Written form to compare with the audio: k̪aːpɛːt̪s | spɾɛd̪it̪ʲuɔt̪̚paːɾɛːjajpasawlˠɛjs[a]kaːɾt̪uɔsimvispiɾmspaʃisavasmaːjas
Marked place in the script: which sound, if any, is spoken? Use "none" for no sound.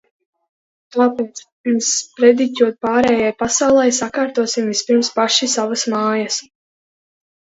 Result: a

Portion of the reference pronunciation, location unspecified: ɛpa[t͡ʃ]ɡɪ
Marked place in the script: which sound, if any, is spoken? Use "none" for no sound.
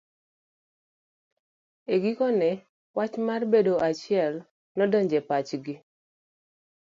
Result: t͡ʃ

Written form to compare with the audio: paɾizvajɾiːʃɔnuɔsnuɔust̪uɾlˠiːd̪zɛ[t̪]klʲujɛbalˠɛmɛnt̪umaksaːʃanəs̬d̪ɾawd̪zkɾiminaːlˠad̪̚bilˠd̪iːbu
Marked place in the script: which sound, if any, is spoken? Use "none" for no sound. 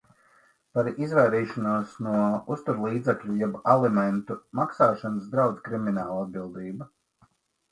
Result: none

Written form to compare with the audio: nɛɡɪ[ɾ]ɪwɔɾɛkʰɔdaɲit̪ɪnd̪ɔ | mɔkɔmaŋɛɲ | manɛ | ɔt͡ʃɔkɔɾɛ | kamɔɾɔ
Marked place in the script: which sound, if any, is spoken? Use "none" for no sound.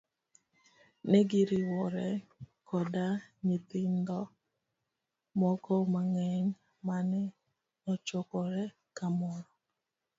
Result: ɾ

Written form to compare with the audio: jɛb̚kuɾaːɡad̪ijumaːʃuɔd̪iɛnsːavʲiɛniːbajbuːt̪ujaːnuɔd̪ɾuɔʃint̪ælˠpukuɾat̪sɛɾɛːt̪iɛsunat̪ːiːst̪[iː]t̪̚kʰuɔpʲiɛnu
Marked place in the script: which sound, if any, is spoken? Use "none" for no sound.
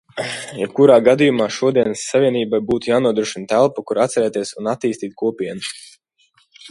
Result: iː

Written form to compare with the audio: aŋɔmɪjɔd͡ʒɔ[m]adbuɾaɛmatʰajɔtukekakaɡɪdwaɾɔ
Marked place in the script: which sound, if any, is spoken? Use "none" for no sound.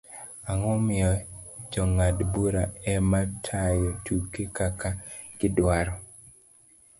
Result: ŋ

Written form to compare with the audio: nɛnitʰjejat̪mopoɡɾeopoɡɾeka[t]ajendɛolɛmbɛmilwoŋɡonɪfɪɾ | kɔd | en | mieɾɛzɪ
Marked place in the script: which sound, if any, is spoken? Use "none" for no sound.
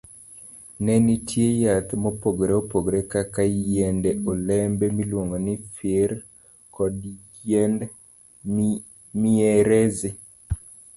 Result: k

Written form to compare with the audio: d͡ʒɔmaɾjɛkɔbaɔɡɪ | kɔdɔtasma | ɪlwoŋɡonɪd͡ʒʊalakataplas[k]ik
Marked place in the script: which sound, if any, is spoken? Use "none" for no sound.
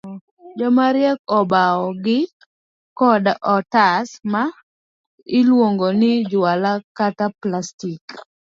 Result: t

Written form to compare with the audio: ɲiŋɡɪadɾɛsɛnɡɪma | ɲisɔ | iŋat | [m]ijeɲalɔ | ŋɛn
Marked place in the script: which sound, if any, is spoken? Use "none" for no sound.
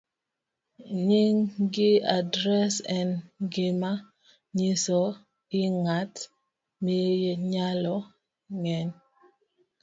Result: m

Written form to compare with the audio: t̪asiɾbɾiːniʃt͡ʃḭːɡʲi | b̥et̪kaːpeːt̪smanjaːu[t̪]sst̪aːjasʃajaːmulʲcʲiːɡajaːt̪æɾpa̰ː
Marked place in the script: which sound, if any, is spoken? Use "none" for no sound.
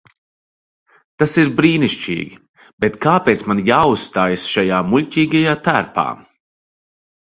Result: none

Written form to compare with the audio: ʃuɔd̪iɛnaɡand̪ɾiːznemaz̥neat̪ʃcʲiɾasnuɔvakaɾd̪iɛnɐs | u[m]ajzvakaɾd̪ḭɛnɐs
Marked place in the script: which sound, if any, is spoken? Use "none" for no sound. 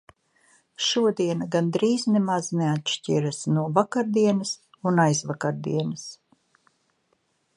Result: n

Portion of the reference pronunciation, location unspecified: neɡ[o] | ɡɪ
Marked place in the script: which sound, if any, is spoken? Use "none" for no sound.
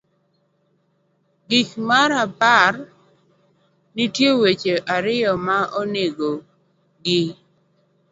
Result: o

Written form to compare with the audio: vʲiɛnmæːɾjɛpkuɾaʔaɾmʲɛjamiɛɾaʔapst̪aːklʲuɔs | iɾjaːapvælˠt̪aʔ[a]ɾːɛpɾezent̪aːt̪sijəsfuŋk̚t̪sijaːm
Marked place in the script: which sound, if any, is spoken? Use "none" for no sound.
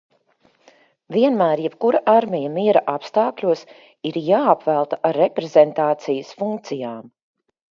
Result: a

